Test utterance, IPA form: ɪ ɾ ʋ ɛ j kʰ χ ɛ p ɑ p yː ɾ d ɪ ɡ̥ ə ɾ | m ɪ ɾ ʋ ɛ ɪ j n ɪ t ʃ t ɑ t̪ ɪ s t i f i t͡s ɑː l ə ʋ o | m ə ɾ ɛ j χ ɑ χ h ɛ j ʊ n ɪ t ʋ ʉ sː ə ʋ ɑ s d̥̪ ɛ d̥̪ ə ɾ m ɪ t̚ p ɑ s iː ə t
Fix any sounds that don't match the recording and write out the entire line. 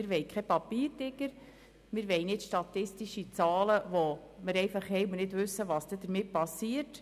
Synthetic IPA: ɪ ɾ ʋ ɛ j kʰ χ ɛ p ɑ p iː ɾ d ɪ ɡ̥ ə ɾ | m ɪ ɾ ʋ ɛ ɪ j n ɪ t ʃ t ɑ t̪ ɪ s t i ʃ i t͡s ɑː l ə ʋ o | m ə ɾ ɛ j f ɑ χ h ɛ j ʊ n ɪ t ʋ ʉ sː ə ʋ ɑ s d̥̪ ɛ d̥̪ ə ɾ m ɪ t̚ p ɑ s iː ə t